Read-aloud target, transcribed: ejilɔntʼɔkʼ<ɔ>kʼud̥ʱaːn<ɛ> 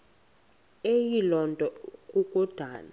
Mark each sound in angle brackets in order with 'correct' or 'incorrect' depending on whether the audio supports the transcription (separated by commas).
incorrect, incorrect